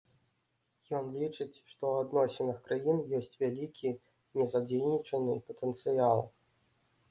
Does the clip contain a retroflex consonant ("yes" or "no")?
yes